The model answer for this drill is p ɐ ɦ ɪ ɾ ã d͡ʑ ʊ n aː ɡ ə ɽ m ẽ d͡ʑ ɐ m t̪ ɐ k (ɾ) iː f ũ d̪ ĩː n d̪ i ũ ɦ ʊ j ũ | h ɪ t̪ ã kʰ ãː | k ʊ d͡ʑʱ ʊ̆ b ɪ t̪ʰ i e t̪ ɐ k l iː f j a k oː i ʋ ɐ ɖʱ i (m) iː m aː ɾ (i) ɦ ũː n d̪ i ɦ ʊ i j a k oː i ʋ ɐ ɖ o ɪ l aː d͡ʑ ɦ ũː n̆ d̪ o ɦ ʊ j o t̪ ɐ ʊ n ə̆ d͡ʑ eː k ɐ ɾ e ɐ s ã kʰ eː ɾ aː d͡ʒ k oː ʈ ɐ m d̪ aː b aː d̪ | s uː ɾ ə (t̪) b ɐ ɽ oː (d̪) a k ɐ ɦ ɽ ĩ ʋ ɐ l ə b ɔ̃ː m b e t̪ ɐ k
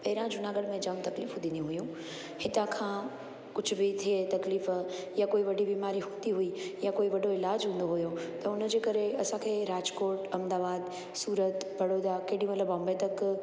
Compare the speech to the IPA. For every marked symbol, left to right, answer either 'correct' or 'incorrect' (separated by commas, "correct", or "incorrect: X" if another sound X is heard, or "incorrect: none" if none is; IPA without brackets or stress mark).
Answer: incorrect: l, incorrect: b, correct, correct, correct